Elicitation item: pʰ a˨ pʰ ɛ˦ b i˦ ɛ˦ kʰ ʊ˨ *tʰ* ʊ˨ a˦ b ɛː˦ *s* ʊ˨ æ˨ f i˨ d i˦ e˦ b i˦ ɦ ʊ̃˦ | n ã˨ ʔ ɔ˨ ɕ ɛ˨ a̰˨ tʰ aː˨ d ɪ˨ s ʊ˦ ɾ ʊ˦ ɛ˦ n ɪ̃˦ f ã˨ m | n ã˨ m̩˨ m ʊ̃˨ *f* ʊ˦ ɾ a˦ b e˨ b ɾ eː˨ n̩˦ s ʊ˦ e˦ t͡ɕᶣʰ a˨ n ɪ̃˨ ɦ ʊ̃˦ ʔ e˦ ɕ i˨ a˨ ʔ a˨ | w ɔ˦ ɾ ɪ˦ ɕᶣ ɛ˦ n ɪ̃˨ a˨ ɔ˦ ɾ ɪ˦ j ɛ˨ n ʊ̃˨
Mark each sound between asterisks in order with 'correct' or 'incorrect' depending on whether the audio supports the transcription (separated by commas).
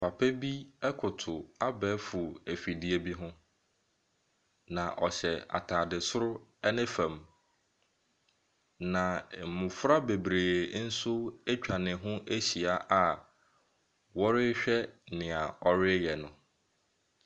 correct, incorrect, correct